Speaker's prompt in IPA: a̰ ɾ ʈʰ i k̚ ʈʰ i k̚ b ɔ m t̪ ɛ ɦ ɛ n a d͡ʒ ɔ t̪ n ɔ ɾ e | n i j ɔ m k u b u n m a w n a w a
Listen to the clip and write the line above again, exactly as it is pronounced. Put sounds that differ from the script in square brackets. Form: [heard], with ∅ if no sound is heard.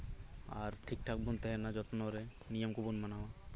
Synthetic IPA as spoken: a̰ ɾ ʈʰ i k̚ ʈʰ [a] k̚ b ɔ [n] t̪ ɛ ɦ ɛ n a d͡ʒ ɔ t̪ n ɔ ɾ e | n i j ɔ m k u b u n m a [∅] n a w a